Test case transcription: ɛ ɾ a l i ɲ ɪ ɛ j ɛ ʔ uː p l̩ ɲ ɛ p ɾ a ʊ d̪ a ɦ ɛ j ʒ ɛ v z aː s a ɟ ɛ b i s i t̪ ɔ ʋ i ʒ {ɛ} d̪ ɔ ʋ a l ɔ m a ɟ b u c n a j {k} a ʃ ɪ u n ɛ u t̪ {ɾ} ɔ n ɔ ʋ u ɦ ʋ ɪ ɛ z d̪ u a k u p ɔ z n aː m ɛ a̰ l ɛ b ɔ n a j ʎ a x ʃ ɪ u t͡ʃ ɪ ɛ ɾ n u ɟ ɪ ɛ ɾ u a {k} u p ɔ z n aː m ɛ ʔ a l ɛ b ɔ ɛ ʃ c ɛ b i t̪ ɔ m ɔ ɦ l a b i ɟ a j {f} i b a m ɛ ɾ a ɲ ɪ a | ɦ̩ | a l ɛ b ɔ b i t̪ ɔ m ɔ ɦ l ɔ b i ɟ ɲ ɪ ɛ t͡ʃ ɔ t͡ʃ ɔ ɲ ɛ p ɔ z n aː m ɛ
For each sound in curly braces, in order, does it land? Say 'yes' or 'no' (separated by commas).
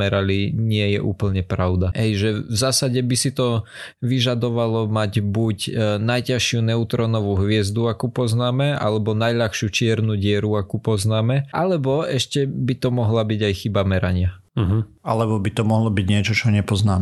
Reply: no, no, yes, yes, no